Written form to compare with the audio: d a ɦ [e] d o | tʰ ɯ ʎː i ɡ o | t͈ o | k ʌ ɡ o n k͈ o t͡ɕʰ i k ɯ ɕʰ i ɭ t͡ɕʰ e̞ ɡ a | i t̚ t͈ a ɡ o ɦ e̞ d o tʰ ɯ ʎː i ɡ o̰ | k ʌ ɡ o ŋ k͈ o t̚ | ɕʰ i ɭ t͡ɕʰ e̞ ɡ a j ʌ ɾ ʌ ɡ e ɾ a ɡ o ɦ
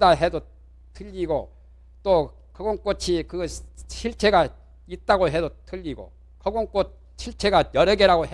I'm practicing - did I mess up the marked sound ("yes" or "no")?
no